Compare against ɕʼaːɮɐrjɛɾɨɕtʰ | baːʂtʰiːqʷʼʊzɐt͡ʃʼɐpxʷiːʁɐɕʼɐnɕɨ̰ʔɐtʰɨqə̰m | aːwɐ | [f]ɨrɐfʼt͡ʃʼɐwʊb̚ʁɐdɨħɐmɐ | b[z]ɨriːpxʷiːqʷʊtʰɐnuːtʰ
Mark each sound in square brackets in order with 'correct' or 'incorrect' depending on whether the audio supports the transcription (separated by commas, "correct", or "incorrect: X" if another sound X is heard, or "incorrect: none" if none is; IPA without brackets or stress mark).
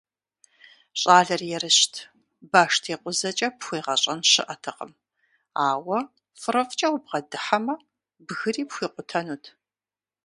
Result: correct, incorrect: ɣ